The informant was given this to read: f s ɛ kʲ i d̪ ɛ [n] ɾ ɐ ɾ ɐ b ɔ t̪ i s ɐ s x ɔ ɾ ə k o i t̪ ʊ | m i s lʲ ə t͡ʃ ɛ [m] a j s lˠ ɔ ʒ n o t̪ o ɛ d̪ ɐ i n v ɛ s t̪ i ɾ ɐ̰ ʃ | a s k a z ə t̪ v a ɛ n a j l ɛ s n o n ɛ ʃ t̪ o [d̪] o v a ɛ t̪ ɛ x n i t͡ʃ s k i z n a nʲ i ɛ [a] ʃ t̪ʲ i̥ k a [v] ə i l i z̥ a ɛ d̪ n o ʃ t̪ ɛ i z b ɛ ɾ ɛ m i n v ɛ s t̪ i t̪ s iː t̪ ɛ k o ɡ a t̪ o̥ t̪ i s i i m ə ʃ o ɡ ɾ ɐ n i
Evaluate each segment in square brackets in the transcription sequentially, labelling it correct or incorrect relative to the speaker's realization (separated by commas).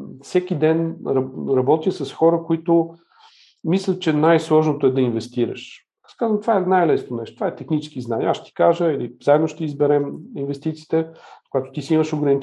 correct, incorrect, incorrect, correct, incorrect